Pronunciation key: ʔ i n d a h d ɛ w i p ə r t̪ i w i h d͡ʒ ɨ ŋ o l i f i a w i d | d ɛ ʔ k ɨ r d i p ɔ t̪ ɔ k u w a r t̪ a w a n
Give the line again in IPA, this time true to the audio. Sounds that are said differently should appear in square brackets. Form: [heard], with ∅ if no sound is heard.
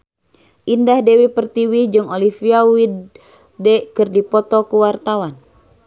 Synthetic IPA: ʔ i n d a h d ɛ w i p ə r t̪ i w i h d͡ʒ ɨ ŋ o l i f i a w i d | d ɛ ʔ k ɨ r d i p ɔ t̪ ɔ k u w a r t̪ a w a n